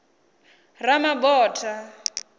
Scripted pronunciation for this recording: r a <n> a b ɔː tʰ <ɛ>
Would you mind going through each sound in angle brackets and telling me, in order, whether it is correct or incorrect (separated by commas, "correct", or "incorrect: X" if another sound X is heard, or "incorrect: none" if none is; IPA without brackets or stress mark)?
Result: incorrect: m, incorrect: a